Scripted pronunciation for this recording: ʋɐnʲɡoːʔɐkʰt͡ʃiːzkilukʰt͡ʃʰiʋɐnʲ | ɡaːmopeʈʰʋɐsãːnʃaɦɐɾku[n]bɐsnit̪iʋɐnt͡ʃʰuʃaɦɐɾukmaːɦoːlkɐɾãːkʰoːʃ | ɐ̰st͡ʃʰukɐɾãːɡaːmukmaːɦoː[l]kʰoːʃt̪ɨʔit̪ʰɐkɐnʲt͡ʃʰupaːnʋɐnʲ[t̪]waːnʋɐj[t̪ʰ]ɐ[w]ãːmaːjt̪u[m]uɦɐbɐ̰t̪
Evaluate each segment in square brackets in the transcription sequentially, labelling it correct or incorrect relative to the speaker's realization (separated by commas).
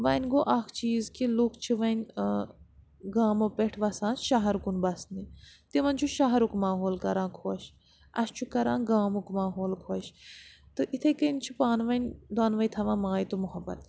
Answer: correct, correct, incorrect, correct, incorrect, correct